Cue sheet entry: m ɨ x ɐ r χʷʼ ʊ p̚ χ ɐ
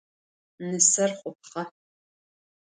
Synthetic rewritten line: n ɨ s ɐ r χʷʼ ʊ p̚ χ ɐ